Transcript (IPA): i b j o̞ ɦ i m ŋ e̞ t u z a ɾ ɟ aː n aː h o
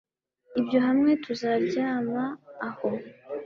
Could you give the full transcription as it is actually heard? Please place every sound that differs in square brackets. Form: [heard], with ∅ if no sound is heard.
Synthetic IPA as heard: i b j o̞ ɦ [a] m ŋ e̞ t u z a ɾ ɟ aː [m] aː h o